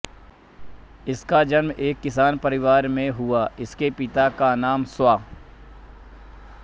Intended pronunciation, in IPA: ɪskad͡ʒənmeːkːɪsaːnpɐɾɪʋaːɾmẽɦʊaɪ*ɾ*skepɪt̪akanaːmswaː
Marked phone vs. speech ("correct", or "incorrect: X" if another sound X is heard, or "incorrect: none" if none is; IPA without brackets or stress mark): incorrect: none